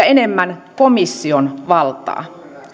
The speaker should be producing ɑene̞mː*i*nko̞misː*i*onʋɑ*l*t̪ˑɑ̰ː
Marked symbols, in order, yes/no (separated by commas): no, yes, yes